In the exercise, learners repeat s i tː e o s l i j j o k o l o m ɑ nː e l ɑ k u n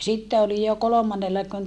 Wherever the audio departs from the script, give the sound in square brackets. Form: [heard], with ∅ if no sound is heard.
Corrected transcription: s i tː e o [∅] l i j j o k o l o m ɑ nː e [lː] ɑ k u n